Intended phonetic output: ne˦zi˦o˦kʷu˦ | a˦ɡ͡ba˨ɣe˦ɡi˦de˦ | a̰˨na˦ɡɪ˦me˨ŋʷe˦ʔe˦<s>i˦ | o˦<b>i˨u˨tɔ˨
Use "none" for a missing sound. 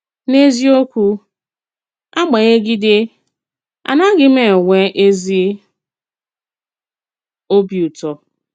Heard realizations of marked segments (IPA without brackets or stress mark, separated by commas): z, b